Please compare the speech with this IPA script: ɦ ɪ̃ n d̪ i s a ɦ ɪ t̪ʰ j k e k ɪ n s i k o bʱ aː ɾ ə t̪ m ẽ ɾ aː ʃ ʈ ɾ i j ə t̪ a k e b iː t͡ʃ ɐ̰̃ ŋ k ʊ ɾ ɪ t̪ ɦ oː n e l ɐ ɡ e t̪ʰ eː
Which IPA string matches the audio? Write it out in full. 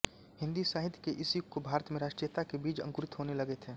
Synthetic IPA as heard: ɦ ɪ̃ n d̪ i s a ɦ ɪ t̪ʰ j k e ʔ ɪ s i k o bʱ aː ɾ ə t̪ m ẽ ɾ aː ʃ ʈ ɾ i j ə t̪ a k e b iː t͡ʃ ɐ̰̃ ŋ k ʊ ɾ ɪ t̪ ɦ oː n e l ɐ ɡ e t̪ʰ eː